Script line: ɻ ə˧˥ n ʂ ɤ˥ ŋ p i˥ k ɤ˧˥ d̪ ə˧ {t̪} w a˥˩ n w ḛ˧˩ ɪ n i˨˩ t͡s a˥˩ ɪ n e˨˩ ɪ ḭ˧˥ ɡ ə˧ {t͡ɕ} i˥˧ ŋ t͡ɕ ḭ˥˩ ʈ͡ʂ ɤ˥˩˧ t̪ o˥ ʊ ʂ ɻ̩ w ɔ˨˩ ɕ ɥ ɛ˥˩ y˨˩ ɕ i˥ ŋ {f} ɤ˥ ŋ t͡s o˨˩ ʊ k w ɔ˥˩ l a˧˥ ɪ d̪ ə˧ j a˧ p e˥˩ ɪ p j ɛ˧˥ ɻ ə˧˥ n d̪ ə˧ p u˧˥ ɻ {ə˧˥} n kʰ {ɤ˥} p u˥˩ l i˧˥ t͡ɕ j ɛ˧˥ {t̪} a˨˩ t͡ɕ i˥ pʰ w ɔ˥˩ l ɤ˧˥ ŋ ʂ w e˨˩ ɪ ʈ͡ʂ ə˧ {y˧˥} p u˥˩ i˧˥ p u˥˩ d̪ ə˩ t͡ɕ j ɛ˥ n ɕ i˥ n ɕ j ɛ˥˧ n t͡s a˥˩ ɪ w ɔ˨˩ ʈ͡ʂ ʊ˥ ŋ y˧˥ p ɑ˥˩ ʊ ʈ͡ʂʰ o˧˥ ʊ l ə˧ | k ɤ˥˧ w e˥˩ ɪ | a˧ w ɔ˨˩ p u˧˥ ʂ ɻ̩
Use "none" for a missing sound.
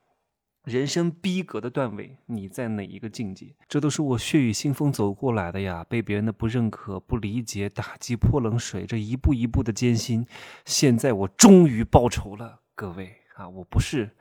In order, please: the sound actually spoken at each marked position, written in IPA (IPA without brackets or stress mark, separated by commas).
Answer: t̪, t͡ɕ, f, ə˥˩, ɤ˨˩, t̪, i˧˥